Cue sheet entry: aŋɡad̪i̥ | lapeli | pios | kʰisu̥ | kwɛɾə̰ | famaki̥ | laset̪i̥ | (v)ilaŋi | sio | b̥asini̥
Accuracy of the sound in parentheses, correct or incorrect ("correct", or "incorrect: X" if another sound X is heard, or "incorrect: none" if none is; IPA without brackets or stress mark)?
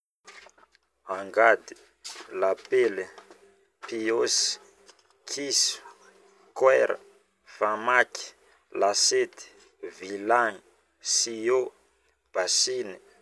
correct